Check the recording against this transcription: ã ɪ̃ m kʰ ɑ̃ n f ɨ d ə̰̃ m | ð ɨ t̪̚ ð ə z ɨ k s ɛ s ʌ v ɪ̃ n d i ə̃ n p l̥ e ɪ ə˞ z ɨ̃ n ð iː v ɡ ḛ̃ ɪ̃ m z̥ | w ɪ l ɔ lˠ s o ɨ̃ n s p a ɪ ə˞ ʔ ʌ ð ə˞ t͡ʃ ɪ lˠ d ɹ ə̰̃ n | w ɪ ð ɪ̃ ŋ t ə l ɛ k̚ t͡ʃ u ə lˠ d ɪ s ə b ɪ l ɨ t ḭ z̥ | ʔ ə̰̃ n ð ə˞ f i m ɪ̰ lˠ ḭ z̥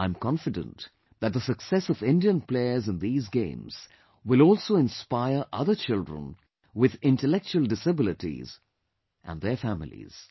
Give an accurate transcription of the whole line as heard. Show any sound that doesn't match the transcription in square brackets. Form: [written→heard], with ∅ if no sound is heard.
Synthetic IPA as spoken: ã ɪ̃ m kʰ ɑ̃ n f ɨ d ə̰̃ [m→n] | ð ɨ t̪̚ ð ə [z→s] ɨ k s ɛ s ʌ v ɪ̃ n d i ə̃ n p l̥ e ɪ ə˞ z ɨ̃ n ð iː [v→z] ɡ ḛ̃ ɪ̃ m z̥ | w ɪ l ɔ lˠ s o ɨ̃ n s p a ɪ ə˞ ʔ ʌ ð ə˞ t͡ʃ ɪ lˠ d ɹ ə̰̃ n | w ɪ ð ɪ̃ [ŋ→n] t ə l ɛ k̚ t͡ʃ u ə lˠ d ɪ s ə b ɪ l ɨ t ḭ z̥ | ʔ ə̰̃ n ð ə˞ f [i→æ] m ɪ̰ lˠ ḭ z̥